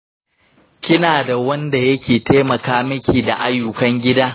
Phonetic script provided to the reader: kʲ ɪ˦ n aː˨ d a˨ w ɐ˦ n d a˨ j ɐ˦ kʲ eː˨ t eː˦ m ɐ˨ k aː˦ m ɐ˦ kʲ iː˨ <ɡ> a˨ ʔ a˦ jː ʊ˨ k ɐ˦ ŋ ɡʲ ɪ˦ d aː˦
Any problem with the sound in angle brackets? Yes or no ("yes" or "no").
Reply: yes